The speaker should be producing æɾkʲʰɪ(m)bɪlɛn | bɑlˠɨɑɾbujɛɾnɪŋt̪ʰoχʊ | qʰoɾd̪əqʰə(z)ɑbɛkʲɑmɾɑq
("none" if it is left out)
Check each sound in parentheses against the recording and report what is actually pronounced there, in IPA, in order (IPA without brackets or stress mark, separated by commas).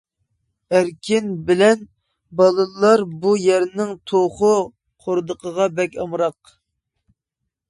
n, ʁ